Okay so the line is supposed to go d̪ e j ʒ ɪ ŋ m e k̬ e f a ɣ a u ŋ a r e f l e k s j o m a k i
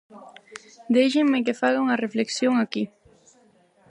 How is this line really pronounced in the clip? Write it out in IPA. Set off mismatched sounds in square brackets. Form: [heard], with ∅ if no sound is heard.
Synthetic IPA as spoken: d̪ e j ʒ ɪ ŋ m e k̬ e f a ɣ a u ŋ a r e f l e k s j o [ŋ] a k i